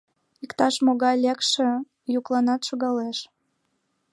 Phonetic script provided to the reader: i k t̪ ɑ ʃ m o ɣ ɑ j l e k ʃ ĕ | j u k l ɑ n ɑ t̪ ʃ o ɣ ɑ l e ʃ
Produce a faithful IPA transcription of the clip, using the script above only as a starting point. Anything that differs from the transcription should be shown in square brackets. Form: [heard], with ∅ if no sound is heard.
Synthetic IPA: i k t̪ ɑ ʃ m o ɣ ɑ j l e k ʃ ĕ | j u k l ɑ n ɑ t̪ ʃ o ɣ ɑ l e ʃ